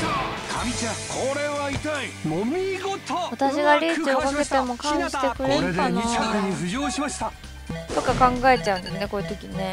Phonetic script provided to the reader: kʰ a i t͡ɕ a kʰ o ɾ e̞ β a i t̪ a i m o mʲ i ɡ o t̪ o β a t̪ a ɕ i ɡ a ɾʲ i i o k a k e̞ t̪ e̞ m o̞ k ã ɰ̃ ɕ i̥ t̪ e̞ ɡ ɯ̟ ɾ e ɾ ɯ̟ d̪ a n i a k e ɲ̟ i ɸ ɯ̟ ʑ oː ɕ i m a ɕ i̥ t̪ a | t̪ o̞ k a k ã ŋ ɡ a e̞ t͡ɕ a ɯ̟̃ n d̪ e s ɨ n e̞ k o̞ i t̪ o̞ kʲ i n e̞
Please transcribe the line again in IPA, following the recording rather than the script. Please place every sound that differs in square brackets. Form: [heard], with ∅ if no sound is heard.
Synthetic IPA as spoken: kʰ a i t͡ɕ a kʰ o ɾ e̞ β a i t̪ a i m o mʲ i ɡ o t̪ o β a t̪ a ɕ i ɡ a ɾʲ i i o k a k e̞ t̪ e̞ m o̞ k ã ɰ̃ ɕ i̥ t̪ e̞ [k] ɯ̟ ɾ e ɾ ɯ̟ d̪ a n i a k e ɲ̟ i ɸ ɯ̟ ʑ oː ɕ i m a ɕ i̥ t̪ a | t̪ o̞ k a k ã ŋ ɡ a e̞ t͡ɕ a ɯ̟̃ n d̪ e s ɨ n e̞ k o̞ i t̪ o̞ kʲ i n e̞